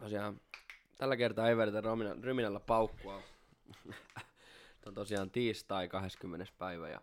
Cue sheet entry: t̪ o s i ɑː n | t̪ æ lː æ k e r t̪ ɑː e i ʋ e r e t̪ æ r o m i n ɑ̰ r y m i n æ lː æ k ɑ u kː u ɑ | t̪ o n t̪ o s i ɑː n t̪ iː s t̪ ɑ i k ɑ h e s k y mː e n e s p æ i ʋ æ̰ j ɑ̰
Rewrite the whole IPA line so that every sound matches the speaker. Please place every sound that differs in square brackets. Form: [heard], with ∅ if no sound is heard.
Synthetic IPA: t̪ o s i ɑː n | t̪ æ lː æ k e r t̪ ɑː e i ʋ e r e t̪ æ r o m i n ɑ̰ r y m i n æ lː æ [p] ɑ u kː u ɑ | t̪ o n t̪ o s i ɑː n t̪ iː s t̪ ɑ i k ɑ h e s k y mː e n e s p æ i ʋ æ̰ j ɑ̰